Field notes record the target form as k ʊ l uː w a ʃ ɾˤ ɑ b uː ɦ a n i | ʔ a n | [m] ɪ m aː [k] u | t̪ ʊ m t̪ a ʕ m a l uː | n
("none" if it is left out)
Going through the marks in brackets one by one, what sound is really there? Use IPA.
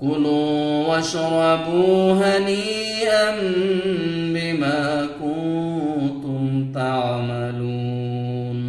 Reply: b, k

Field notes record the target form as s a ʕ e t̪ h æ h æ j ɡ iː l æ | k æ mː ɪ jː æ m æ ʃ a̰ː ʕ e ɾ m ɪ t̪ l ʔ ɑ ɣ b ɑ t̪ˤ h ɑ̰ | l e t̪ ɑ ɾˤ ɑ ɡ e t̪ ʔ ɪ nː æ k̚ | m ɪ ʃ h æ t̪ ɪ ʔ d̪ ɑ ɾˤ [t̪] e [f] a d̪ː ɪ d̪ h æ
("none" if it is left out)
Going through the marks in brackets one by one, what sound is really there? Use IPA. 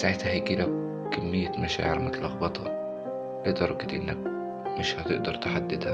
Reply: t̪, ħ

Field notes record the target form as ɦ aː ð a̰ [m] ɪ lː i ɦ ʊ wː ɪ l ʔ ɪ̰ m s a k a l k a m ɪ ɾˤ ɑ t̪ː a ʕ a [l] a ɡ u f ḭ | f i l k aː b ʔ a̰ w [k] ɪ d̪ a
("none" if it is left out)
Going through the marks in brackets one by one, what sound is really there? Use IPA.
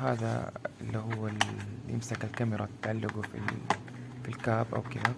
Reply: none, lː, k

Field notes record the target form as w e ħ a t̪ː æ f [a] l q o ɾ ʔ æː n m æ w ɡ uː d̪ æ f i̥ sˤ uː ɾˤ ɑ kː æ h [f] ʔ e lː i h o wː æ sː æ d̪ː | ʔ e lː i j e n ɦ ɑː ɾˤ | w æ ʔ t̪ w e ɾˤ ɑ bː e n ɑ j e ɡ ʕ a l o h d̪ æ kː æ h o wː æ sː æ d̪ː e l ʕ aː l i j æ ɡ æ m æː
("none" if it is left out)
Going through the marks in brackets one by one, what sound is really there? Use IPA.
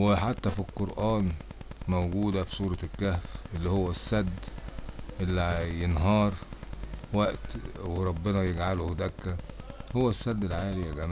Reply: i, f

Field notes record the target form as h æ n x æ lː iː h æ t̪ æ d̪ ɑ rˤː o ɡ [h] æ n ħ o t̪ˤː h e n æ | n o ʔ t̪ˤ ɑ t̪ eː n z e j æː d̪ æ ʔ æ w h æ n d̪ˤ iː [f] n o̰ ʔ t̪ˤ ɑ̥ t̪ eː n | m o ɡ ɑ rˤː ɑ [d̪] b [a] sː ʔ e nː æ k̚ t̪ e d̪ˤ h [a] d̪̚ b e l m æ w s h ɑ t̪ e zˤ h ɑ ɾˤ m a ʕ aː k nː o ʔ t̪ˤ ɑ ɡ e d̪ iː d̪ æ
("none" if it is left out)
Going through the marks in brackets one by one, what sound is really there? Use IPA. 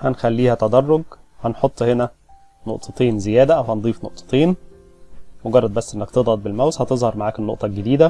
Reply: h, f, d̪, æ, ɑ

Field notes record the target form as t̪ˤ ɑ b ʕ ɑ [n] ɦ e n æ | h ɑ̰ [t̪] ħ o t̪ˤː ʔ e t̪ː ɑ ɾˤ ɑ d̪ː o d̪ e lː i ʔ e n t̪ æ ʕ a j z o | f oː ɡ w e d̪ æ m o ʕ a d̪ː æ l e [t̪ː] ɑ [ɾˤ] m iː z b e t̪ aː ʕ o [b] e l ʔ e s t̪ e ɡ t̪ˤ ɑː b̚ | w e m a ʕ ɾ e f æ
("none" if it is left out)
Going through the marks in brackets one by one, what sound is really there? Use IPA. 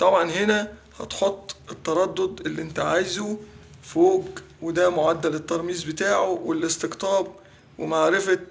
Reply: n, t̪, t̪ː, ɾˤ, w

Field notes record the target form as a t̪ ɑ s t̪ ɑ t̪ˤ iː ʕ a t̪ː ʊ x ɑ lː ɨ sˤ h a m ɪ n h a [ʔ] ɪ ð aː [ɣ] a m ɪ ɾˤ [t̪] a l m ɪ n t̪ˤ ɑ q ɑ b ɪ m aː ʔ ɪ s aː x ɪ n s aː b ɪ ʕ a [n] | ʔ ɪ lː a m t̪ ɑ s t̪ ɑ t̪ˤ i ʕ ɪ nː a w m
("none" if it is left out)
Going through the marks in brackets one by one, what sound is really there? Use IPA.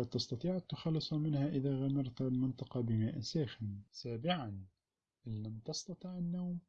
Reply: ʔ, ɣ, t̪, n

